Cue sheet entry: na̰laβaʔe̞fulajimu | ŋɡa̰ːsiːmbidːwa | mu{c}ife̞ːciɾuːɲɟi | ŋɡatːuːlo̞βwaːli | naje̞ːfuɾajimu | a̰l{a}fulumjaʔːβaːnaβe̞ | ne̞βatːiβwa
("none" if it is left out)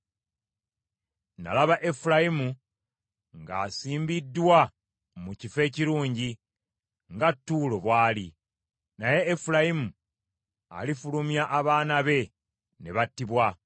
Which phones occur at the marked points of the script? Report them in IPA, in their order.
c, i

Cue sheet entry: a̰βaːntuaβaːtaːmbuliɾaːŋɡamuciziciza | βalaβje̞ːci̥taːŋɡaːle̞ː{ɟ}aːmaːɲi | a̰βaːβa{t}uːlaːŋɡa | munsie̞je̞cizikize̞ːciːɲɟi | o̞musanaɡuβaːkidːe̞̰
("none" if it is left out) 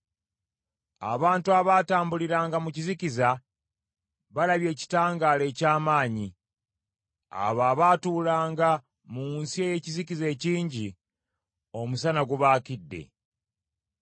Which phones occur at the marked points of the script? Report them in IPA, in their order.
c, t

